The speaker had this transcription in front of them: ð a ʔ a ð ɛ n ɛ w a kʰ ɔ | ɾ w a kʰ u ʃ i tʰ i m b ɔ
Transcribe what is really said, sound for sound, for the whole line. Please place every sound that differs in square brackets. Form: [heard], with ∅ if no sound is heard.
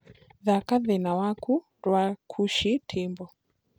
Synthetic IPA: ð a [k] a ð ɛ n [a] w a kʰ [u] | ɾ w a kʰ u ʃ i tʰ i m b ɔ